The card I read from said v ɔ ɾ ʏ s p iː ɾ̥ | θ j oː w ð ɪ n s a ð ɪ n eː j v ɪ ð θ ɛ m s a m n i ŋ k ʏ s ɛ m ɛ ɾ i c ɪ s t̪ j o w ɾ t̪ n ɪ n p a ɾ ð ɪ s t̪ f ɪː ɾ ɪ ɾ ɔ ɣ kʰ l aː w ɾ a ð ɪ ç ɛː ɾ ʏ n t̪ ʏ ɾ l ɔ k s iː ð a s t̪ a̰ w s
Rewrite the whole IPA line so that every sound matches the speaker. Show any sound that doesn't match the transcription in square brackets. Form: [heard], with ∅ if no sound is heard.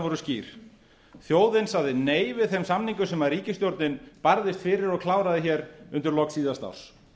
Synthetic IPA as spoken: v ɔ ɾ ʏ s [c] iː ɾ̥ | θ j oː w ð ɪ n s a ð ɪ n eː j v ɪ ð θ ɛ m s a m n i ŋ k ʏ s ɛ m [a] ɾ [iː] c ɪ s t̪ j o w ɾ t̪ n ɪ n p a ɾ ð ɪ s t̪ f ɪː ɾ ɪ ɾ ɔ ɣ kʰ l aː w ɾ a ð ɪ ç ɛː ɾ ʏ n t̪ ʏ ɾ l ɔ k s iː ð a s t̪ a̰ w s

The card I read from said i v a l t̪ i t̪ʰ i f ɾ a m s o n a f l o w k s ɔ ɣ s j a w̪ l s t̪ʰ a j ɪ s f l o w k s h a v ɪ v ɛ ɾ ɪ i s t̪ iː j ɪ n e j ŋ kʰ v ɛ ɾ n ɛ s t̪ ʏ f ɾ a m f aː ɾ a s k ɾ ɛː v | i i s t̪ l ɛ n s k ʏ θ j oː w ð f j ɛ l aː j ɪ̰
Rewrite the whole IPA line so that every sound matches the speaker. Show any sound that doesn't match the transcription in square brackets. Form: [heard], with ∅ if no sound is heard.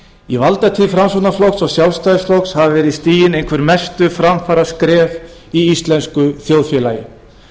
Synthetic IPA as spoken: i v a l t̪ [a] t̪ʰ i f ɾ a m s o n a f l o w k s ɔ ɣ s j a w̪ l s [t̪] a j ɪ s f l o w k s h a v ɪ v ɛ ɾ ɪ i s t̪ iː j ɪ n e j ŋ kʰ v ɛ ɾ [m] ɛ s t̪ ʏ f ɾ a m f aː ɾ a s k ɾ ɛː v | i i s t̪ l ɛ n s k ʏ θ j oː w ð f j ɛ l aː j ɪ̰

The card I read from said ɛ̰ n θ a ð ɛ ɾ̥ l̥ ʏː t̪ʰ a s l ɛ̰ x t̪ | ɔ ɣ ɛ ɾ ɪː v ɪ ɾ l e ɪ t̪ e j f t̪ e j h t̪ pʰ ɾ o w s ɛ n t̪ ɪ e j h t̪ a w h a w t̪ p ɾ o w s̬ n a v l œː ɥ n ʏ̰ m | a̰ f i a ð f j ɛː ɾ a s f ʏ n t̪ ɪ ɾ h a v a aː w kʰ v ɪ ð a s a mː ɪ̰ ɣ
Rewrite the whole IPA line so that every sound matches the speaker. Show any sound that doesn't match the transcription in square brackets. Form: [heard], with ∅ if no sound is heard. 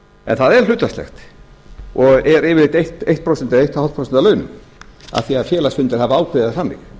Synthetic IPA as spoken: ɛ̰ n θ a ð ɛ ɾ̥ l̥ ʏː [t̪] a s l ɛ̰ x t̪ | ɔ ɣ ɛ ɾ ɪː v ɪ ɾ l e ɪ t̪ e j [h] t̪ e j h t̪ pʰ ɾ o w s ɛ n t̪ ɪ e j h t̪ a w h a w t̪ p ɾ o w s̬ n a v l œː ɥ n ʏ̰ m | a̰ [θ] i a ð f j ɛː [l] a s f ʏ n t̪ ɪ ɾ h a v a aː w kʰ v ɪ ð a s a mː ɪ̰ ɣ

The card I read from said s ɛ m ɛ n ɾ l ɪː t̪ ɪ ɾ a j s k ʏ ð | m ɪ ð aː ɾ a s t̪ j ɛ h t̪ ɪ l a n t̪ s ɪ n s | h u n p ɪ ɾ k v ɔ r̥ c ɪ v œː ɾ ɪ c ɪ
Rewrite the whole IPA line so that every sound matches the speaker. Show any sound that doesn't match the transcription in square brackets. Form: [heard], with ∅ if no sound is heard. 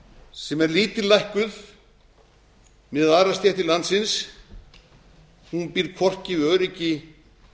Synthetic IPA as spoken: s ɛ m ɛ [∅] ɾ l [iː] t̪ ɪ [l] a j [h] k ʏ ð | m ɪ ð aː ɾ a s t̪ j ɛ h t̪ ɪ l a n t̪ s ɪ n s | h u n p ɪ ɾ [kʰ] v ɔ r̥ c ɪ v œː ɾ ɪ c ɪ

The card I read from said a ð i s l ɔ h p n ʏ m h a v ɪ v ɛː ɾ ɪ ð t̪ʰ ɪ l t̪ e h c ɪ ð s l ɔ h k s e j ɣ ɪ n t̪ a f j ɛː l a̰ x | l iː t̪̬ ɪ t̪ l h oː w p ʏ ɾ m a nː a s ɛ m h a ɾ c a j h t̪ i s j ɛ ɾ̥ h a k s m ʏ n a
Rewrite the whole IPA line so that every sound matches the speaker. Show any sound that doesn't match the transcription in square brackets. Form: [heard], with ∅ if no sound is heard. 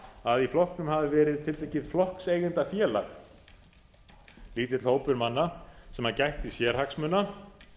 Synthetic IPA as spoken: a ð i [f] l ɔ h [k] n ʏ m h a v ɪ v ɛː ɾ ɪ ð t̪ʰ ɪ l t̪ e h c ɪ ð [f] l ɔ h k s e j ɣ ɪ n t̪ a f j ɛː l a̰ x | l iː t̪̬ ɪ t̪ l h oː w p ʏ ɾ m a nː a s ɛ m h a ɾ c a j h t̪ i s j ɛ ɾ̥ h a k s m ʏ n a

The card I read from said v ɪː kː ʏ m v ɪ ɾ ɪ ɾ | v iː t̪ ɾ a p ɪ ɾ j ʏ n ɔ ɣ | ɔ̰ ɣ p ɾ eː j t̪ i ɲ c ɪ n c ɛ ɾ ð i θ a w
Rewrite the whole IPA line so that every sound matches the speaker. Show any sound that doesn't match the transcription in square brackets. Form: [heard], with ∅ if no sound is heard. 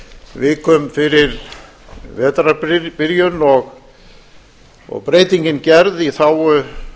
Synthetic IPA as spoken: v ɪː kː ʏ m [f] ɪ ɾ ɪ ɾ | v [ɛː] t̪ ɾ a p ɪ ɾ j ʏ n ɔ ɣ | ɔ̰ ɣ p ɾ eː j t̪ i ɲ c ɪ n c ɛ ɾ ð i θ a w

